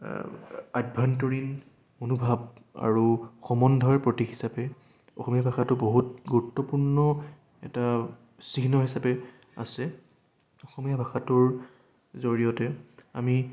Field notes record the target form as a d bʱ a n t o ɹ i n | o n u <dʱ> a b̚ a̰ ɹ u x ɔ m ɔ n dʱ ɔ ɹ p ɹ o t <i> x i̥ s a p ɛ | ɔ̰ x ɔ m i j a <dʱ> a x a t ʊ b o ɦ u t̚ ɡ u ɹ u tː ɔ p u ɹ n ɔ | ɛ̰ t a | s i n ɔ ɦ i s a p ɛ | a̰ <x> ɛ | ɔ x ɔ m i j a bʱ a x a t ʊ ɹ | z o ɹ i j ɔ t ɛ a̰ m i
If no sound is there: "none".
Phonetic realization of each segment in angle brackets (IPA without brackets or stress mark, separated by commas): bʱ, i, bʱ, s